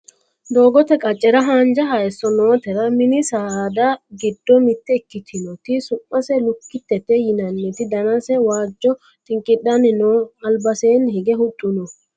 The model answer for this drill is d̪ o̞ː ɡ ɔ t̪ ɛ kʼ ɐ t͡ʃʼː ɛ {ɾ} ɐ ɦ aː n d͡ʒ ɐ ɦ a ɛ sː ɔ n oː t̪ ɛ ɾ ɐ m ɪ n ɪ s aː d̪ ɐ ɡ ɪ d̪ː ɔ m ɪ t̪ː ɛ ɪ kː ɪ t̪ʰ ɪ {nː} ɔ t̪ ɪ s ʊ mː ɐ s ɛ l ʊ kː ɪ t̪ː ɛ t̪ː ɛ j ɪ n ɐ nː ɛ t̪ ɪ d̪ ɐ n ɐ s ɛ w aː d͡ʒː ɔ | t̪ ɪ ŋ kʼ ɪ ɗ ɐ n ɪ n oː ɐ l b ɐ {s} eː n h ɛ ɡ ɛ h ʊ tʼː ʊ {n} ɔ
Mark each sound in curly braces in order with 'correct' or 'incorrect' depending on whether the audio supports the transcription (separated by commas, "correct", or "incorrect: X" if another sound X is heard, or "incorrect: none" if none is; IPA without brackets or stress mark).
correct, incorrect: n, correct, correct